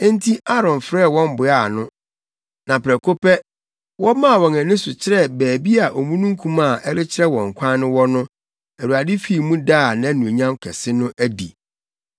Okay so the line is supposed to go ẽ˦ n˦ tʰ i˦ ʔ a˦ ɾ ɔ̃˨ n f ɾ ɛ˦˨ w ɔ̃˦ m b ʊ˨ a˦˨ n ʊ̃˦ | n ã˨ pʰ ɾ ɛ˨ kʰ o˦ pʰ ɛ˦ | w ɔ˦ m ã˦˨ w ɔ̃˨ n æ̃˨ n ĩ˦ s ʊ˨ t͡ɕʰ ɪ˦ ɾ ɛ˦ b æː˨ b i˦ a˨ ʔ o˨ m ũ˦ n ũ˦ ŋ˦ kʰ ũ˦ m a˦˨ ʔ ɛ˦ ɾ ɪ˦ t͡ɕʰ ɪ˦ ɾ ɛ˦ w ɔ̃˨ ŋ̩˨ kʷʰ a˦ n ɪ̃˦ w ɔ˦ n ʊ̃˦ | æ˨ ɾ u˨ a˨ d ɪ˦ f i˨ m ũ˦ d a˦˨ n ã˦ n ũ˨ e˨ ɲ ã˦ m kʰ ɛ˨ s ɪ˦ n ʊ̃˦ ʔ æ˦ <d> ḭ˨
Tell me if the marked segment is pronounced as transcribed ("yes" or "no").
yes